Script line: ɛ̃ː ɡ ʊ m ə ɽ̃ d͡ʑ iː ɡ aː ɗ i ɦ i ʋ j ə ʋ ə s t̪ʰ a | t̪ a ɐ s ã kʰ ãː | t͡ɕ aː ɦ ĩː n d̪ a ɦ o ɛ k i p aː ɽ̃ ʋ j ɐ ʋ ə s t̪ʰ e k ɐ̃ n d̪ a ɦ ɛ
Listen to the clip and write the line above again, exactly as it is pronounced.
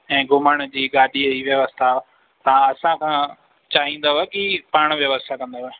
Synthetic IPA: ɛ̃ː ɡ ʊ m ə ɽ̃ d͡ʑ iː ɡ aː ɗ i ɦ i ʋ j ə ʋ ə s t̪ʰ a | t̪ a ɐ s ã kʰ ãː | t͡ɕ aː ɦ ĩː n d̪ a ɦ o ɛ k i p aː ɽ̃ ʋ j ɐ ʋ ə s t̪ʰ a k ɐ̃ n d̪ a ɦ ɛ